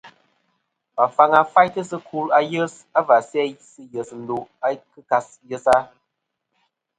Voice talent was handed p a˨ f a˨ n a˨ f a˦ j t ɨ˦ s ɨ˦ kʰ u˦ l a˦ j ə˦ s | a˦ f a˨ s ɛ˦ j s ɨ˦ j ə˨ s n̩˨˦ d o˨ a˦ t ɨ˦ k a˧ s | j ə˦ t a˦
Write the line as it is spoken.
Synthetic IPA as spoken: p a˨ f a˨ ŋ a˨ f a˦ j t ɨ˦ s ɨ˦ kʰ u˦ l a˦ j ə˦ s | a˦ v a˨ s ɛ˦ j s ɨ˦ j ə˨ s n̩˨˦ d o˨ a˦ k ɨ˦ k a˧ s | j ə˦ s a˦